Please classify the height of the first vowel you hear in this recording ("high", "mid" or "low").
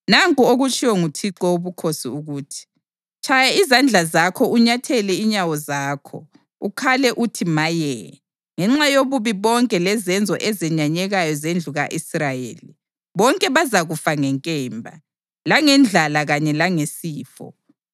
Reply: low